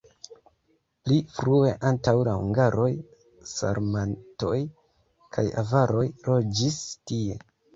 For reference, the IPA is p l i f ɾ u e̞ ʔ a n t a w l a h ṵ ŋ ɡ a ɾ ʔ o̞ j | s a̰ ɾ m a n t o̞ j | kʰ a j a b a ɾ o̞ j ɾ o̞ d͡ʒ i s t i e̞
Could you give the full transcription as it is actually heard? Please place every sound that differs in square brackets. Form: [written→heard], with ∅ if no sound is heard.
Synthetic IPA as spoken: p l i f ɾ u e̞ ʔ a n t a w l a h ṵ ŋ ɡ a ɾ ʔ o̞ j | s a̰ ɾ m a n t o̞ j | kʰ a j a [b→v] a ɾ o̞ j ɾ o̞ d͡ʒ i s t i e̞